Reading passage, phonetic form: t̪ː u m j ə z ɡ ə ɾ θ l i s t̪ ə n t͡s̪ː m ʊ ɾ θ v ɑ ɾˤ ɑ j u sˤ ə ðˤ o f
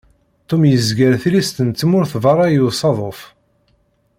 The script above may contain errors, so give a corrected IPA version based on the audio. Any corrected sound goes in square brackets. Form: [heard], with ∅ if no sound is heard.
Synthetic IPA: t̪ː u m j ə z ɡ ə ɾ θ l i s t̪ ə n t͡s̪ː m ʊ ɾ θ v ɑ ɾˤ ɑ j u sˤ [ɑ] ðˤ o f